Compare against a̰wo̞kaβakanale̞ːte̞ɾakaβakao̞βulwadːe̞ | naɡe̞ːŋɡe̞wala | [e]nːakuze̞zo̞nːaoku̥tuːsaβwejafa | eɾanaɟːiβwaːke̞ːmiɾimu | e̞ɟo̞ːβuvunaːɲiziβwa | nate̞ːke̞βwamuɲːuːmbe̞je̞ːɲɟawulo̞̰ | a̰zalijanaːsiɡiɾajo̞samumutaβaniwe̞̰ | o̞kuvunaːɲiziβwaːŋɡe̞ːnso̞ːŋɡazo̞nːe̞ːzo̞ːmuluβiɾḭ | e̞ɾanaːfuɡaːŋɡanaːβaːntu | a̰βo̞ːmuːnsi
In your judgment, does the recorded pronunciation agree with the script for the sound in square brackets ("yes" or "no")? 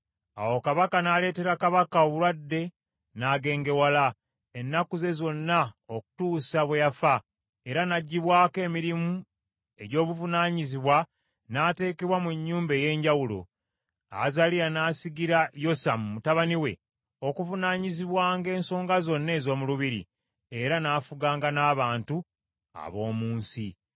yes